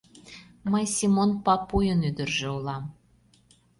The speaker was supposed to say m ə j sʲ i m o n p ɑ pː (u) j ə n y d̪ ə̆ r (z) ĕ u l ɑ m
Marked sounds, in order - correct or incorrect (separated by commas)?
correct, incorrect